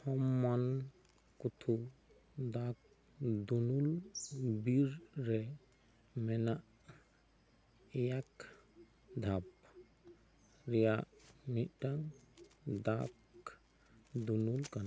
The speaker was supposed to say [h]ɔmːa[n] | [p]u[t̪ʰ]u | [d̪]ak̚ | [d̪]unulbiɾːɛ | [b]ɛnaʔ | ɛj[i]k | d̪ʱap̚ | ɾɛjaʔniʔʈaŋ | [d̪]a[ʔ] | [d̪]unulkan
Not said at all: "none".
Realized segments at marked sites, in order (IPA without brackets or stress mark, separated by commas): h, n, k, t̪ʰ, d̪, d̪, m, a, d̪, k, d̪